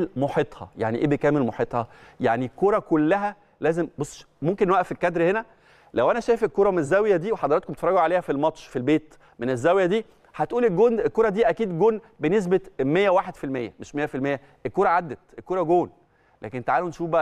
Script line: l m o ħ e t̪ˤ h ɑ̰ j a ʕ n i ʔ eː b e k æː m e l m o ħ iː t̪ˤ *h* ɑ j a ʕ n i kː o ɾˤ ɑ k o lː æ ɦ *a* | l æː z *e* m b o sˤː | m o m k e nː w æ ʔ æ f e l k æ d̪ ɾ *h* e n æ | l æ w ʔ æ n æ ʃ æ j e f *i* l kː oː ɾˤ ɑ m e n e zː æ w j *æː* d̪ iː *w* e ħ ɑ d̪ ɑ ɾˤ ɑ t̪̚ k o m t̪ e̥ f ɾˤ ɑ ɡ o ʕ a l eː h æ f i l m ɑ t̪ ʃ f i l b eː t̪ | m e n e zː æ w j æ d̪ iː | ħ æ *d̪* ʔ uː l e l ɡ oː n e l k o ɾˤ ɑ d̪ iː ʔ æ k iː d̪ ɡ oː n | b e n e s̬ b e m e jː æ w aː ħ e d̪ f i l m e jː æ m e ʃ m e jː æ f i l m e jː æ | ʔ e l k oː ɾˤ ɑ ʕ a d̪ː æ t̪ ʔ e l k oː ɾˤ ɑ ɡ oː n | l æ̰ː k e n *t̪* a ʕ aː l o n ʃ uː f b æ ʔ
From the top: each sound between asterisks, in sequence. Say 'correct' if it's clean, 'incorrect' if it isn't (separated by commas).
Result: correct, incorrect, correct, correct, incorrect, incorrect, correct, incorrect, correct